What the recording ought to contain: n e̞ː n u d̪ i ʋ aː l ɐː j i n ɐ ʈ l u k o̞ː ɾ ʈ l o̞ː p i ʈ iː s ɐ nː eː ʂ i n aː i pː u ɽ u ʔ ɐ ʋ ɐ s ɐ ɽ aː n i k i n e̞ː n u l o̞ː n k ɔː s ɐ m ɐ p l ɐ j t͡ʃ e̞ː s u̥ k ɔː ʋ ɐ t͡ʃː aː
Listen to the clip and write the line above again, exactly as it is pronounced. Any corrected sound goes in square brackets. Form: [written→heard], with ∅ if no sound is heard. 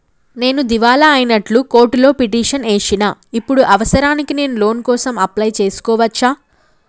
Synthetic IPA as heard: n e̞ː n u d̪ i ʋ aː l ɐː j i n ɐ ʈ l u k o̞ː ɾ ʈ l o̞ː p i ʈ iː [s→ʂ] ɐ [nː→n] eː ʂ i n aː i pː u ɽ u ʔ ɐ ʋ ɐ s ɐ [ɽ→ɾ] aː n i k i n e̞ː n u l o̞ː n k ɔː s ɐ m ɐ p l ɐ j t͡ʃ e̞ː s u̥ k ɔː ʋ ɐ t͡ʃː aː